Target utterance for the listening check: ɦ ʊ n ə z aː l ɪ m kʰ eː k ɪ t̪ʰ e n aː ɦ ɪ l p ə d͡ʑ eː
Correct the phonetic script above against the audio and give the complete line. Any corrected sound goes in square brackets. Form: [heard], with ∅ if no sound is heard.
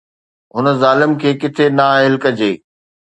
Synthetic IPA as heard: ɦ ʊ n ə z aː l ɪ m kʰ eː k ɪ t̪ʰ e n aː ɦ ɪ l [k] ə d͡ʑ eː